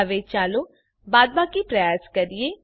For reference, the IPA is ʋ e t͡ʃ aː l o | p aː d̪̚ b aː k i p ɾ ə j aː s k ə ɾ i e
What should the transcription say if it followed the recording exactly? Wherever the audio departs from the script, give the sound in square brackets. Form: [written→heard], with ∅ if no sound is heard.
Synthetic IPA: ʋ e t͡ʃ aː l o | [p→b] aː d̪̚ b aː k i p ɾ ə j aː s k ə ɾ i e